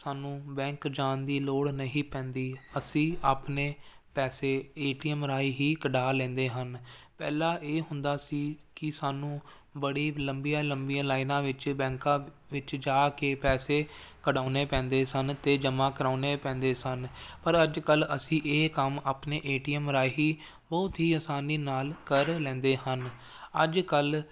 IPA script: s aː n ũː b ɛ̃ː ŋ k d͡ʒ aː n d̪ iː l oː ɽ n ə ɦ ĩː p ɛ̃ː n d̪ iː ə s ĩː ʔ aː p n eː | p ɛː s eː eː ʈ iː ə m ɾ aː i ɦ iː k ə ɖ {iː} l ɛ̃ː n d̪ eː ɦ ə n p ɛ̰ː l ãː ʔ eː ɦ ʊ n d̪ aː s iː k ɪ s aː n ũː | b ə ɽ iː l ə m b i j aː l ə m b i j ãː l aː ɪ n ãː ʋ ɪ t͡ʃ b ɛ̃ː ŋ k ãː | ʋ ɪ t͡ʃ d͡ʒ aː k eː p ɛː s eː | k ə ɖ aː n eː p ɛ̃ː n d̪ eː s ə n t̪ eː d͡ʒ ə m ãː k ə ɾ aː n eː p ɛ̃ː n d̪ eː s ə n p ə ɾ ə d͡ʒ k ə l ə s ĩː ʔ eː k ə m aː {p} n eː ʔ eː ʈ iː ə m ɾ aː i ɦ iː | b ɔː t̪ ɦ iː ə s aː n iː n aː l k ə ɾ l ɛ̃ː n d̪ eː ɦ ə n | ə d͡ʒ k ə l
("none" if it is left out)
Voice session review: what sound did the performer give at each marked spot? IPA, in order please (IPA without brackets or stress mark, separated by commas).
aː, p